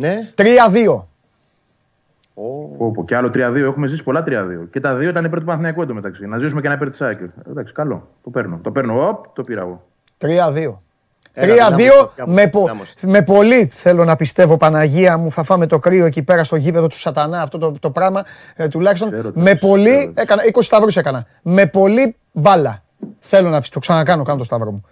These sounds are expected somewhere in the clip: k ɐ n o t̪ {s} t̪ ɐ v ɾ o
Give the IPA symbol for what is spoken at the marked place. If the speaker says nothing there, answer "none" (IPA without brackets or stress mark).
s